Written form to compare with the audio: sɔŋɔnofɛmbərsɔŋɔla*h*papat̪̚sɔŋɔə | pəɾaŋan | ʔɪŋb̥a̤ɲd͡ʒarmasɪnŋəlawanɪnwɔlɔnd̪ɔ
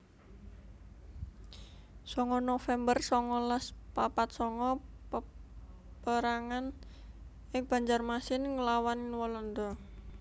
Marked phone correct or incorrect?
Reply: incorrect: s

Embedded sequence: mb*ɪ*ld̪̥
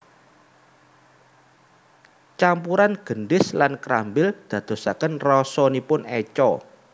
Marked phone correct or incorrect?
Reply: correct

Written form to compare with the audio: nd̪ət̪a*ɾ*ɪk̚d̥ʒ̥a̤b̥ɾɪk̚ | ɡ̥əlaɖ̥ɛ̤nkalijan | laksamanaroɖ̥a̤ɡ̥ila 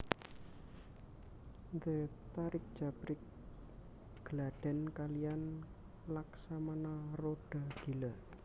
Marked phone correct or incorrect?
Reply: correct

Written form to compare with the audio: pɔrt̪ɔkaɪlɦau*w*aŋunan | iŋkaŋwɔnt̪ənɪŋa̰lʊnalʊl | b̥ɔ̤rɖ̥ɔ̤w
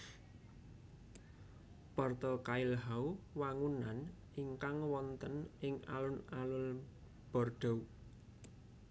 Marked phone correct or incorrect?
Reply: correct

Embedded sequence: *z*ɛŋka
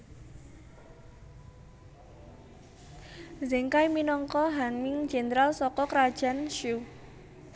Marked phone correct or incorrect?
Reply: correct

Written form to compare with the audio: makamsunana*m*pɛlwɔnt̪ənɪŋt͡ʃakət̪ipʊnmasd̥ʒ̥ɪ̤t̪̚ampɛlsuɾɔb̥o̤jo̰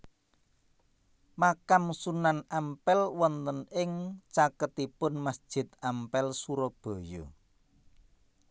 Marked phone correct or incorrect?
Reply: correct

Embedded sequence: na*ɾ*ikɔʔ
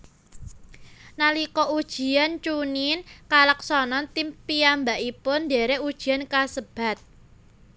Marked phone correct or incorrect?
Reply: incorrect: l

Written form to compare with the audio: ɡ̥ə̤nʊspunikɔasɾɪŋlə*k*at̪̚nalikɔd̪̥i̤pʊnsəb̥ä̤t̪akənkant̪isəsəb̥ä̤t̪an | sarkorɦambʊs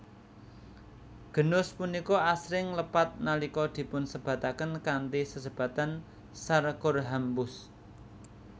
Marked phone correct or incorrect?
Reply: incorrect: p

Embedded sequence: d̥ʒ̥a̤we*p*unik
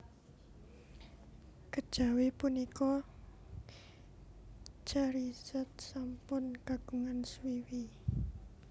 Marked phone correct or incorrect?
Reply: correct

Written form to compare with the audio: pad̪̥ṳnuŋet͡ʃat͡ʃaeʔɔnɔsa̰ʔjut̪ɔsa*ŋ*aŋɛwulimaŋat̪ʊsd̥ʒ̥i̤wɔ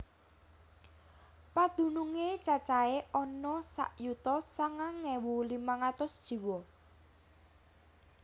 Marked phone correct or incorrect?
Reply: correct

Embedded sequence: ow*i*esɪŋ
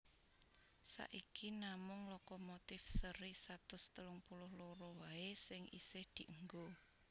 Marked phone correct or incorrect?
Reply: incorrect: a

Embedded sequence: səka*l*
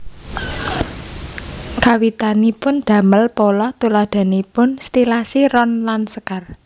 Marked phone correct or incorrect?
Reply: incorrect: r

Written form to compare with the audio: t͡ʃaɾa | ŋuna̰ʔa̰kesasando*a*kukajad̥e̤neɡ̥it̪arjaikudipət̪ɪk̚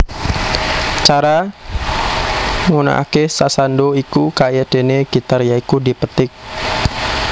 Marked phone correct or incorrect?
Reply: incorrect: i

